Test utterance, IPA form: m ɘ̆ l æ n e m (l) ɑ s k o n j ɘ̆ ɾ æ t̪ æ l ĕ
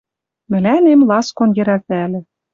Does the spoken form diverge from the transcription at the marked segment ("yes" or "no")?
no